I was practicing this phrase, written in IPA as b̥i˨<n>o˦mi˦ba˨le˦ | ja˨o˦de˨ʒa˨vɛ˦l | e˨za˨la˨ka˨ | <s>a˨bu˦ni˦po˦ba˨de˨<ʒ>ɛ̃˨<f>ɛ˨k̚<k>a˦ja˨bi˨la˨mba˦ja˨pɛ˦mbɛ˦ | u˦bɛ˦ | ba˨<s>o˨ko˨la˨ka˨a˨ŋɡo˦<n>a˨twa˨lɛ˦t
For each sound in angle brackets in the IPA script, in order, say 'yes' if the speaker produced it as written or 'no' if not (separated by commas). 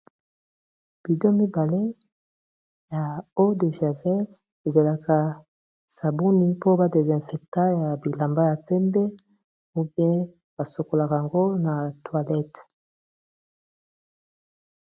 no, yes, no, yes, no, yes, yes